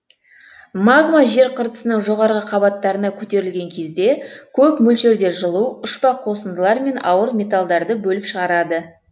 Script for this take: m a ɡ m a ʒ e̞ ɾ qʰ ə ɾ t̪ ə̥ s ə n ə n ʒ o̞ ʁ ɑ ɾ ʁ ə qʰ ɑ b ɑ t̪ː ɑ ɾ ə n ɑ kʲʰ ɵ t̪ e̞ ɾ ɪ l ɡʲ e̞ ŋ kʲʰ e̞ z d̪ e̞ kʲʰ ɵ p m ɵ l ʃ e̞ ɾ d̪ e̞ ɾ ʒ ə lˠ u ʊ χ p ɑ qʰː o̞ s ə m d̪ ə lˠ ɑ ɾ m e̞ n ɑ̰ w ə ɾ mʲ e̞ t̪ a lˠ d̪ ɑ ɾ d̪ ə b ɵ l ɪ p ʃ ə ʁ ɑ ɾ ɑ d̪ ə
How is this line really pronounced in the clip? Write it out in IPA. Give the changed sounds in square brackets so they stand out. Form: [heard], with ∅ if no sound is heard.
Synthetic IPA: m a ɡ m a ʒ e̞ ɾ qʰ ə ɾ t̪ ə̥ s ə n ə [ɴ] ʒ o̞ ʁ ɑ ɾ ʁ ə qʰ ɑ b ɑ t̪ː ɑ ɾ ə n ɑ kʲʰ ɵ t̪ e̞ ɾ ɪ l ɡʲ e̞ ŋ kʲʰ e̞ z d̪ e̞ kʲʰ ɵ p m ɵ l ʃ e̞ ɾ d̪ e̞ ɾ ʒ ə lˠ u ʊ [ʃ] p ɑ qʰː o̞ s ə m d̪ ə lˠ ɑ ɾ m e̞ n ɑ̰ w ə ɾ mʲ e̞ t̪ a lˠ d̪ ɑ ɾ d̪ ə b ɵ l ɪ p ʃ ə ʁ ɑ ɾ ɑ d̪ ə